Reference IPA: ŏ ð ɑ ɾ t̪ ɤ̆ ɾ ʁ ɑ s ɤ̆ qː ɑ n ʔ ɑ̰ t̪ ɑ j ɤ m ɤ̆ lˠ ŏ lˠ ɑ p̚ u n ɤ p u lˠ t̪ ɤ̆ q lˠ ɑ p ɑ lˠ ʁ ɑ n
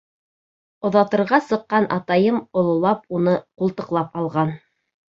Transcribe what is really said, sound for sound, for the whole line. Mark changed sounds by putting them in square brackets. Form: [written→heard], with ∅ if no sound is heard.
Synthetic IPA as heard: ŏ ð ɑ [ɾ→∅] t̪ ɤ̆ ɾ ʁ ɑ s ɤ̆ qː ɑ n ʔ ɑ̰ t̪ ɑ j ɤ m [ɤ̆→ŏ] lˠ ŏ lˠ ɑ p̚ u n ɤ [p→q] u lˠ t̪ ɤ̆ q lˠ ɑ p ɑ lˠ ʁ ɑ n